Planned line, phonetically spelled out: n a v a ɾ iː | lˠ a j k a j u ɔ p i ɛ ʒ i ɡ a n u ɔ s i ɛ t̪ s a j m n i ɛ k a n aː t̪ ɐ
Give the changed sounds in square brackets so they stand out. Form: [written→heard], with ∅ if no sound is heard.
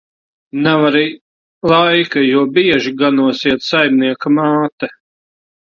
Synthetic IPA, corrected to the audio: n a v a ɾ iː | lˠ a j k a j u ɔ [p→b] i ɛ ʒ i ɡ a n u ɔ s i ɛ t̪ s a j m n i ɛ k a [n→m] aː t̪ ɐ